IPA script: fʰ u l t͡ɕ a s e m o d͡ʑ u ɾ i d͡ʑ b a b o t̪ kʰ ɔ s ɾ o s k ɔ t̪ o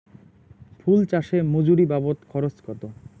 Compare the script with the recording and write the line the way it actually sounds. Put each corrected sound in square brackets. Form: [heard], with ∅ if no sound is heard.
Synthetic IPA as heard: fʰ u l t͡ɕ a [ʃ] e m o d͡ʑ u ɾ i [∅] b a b o t̪ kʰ ɔ [∅] ɾ o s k ɔ t̪ o

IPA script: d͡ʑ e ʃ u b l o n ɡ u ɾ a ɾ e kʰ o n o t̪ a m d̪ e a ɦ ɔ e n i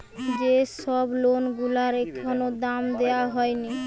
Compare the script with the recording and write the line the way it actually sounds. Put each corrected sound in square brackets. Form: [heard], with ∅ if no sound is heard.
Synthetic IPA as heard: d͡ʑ e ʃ [ɔ] b l o n ɡ u [l] a ɾ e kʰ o n o [d̪] a m d̪ e a ɦ ɔ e n i

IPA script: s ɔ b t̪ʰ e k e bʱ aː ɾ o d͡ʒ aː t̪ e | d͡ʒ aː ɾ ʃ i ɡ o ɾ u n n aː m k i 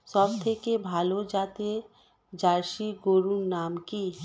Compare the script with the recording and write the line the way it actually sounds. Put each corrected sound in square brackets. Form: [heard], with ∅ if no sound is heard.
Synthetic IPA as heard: s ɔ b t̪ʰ e k e bʱ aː [l] o d͡ʒ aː t̪ e | d͡ʒ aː ɾ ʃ i ɡ o ɾ u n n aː m k i

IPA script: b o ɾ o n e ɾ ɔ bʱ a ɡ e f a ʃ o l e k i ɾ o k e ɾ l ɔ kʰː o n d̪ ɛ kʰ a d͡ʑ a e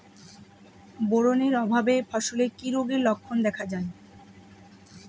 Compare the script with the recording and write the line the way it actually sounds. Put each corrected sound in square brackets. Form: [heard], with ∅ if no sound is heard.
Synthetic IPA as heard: b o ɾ o n e ɾ ɔ bʱ a [b] e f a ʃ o l e k i ɾ o [ɡ] e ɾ l ɔ kʰː o n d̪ ɛ kʰ a d͡ʑ a e

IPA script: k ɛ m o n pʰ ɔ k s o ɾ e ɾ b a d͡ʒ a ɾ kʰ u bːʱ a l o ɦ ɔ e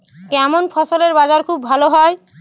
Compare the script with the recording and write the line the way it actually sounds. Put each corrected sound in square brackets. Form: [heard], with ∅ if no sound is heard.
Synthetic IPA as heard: k ɛ m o n pʰ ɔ [∅] s o [l] e ɾ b a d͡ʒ a ɾ kʰ u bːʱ a l o ɦ ɔ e

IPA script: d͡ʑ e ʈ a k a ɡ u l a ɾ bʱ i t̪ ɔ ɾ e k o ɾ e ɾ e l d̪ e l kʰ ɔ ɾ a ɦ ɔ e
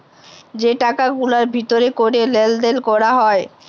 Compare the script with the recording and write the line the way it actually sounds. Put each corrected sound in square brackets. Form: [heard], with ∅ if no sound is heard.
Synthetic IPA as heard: d͡ʑ e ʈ a k a ɡ u l a ɾ bʱ i t̪ [o] ɾ e k o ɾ e [l] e l d̪ e l [k] ɔ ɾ a ɦ ɔ e

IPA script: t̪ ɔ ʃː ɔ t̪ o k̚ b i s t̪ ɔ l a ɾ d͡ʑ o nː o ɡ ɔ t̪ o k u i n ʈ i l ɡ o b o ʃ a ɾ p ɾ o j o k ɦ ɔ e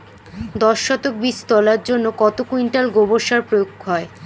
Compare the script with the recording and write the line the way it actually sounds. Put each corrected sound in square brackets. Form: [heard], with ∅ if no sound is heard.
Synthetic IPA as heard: [d̪] ɔ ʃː ɔ t̪ o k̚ b i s t̪ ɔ l a ɾ d͡ʑ o nː o [k] ɔ t̪ o k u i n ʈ [a] l ɡ o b o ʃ a ɾ p ɾ o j o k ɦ ɔ e

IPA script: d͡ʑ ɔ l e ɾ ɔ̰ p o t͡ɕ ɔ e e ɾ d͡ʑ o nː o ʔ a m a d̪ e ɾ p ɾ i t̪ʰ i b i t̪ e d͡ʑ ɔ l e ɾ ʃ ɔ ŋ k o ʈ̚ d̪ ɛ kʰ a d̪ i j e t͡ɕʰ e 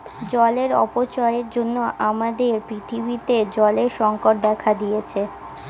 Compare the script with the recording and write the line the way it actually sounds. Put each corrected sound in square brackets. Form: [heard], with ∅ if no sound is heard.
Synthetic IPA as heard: d͡ʑ ɔ l e ɾ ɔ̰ p o t͡ɕ ɔ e e ɾ d͡ʑ o nː o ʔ a m a d̪ e ɾ p ɾ i t̪ʰ i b i t̪ e d͡ʑ ɔ l e ɾ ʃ ɔ ŋ k o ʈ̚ d̪ ɛ kʰ a d̪ i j e t͡ɕʰ e

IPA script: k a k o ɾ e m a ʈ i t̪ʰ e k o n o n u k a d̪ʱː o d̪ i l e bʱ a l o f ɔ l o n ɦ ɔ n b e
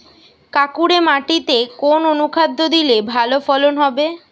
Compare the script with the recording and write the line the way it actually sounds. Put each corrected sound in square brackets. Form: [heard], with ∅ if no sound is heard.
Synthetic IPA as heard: k a k [u] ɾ e m a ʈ i [t̪] e k o n o n u [kʰ] a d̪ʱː o d̪ i l e bʱ a l o f ɔ l o n ɦ ɔ [∅] b e

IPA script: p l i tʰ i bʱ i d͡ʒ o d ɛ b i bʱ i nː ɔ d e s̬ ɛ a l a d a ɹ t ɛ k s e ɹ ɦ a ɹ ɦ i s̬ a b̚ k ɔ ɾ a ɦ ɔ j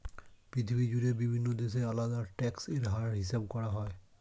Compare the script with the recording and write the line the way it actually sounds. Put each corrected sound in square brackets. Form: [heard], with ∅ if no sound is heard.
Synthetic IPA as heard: p [ɹ] i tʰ i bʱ i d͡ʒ [u] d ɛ b i bʱ i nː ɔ d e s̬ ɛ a l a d a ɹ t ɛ k s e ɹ ɦ a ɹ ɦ i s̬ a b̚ k ɔ [ɹ] a ɦ ɔ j

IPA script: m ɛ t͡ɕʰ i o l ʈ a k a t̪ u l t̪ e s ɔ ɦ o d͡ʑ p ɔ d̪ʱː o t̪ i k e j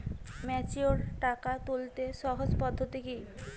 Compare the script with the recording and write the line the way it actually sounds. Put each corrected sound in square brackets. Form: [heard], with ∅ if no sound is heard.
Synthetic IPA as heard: m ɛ [t͡ɕ] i o [ɾ] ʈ a k a t̪ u l t̪ e [ʃ] ɔ ɦ o d͡ʑ p ɔ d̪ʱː o t̪ i k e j

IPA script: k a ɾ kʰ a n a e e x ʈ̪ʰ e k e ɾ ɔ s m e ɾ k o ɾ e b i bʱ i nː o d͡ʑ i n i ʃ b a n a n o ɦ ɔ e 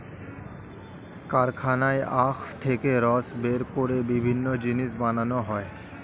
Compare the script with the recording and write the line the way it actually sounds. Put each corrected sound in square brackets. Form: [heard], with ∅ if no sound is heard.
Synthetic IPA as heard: k a ɾ kʰ a n a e [a] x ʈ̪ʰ e k e ɾ ɔ s [b] e ɾ k o ɾ e b i bʱ i nː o d͡ʑ i n i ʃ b a n a n o ɦ ɔ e

